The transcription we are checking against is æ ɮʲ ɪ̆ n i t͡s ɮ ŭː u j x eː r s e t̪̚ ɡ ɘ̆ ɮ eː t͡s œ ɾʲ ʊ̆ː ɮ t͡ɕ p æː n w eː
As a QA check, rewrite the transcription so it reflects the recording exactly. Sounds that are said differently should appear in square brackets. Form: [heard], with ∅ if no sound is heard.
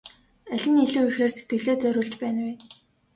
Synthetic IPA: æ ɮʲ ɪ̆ n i [∅] ɮ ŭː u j x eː r s e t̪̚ ɡ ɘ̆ ɮ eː t͡s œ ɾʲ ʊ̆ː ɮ t͡ɕ p æː n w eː

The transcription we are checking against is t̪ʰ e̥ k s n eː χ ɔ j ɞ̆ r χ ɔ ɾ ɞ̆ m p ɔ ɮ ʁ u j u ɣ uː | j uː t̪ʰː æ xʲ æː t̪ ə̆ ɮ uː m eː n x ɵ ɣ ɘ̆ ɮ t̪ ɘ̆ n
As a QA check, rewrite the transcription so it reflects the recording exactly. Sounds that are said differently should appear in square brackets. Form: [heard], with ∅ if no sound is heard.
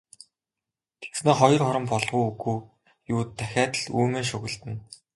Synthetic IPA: t̪ʰ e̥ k s n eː χ ɔ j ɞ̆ r χ ɔ ɾ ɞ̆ m p ɔ ɮ ʁ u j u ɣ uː | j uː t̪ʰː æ xʲ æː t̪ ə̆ ɮ uː m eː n [ʃ] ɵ ɣ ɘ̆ ɮ t̪ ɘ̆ n

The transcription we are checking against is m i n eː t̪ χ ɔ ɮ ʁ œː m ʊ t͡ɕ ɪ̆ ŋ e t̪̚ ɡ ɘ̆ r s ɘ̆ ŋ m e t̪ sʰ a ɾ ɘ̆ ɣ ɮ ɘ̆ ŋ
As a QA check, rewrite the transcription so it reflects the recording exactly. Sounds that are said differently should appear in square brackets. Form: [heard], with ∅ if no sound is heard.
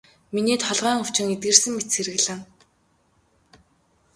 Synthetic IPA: m i n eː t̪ χ ɔ ɮ ʁ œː [ŋ] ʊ t͡ɕ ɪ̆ ŋ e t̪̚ ɡ ɘ̆ r s ɘ̆ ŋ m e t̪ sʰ [e] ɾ ɘ̆ ɣ ɮ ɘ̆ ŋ

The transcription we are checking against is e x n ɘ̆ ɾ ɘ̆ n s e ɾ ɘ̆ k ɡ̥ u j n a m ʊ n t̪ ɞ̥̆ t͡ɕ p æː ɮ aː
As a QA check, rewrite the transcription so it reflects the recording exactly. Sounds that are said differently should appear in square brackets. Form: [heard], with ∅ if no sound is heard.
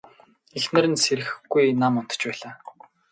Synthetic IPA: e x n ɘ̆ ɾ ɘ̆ n s e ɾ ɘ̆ [x] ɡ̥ u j n a m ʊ n t̪ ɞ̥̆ t͡ɕ p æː ɮ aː

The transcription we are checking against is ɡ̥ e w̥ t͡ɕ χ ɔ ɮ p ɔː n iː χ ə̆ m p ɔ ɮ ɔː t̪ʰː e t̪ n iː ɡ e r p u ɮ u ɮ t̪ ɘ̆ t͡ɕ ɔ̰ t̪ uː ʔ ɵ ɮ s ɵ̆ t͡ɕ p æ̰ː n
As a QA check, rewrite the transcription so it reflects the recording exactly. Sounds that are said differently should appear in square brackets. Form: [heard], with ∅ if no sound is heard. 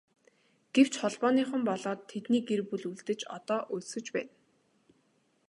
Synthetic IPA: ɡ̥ e w̥ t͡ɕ χ ɔ ɮ p ɔː n iː χ ə̆ m p ɔ ɮ ɔː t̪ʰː e t̪ n iː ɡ e r p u ɮ u ɮ t̪ ɘ̆ t͡ɕ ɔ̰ t̪ [ɔː] ʔ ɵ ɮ s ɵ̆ t͡ɕ p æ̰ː n

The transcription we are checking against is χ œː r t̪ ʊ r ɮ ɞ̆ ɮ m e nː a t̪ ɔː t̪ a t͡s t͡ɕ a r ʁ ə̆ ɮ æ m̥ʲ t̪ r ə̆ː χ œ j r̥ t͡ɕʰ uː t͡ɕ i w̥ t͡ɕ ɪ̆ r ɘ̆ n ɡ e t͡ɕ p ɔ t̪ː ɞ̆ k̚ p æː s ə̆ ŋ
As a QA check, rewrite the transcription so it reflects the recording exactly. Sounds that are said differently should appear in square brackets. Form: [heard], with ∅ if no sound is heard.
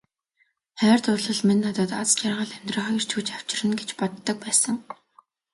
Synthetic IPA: χ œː r t̪ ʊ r ɮ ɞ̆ ɮ m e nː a t̪ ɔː t̪ a t͡s t͡ɕ a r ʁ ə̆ ɮ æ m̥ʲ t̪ r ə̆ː χ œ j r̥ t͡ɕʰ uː t͡ɕ [a] w̥ t͡ɕ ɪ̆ r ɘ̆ n ɡ e t͡ɕ p ɔ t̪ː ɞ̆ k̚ p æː s ə̆ ŋ

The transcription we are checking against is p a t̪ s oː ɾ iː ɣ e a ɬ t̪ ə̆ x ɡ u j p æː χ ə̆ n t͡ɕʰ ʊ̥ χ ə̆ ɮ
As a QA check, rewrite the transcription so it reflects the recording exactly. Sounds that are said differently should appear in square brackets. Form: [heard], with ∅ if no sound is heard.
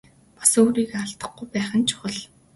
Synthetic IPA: p a [∅] s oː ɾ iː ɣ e a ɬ t̪ ə̆ [χ] ɡ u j p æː χ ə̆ n t͡ɕʰ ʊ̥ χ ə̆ ɮ

